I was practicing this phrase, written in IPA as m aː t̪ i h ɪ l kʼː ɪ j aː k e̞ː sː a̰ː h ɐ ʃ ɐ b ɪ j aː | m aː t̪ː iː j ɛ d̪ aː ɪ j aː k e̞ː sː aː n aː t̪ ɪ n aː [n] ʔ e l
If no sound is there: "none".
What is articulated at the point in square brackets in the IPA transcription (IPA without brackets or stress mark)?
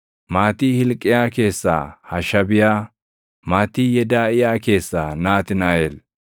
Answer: none